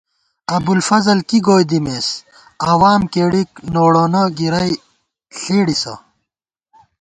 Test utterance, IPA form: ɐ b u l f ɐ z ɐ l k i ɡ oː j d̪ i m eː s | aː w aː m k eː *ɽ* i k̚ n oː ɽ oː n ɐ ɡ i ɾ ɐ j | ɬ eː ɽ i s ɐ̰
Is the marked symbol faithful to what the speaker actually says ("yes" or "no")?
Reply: yes